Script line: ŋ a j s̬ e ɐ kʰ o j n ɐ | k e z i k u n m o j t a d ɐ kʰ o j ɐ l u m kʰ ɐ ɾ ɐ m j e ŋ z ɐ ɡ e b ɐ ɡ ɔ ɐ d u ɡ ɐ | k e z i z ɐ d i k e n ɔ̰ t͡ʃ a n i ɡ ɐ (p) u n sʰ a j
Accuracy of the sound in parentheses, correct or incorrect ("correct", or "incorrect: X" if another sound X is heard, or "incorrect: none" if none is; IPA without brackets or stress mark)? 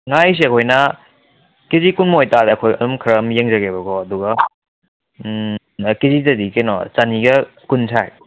incorrect: k